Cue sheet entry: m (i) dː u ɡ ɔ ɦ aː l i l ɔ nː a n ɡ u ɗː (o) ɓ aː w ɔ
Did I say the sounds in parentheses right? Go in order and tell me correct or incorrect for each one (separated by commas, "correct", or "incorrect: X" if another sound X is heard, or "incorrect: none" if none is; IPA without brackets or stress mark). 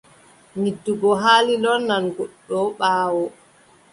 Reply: correct, incorrect: ɔ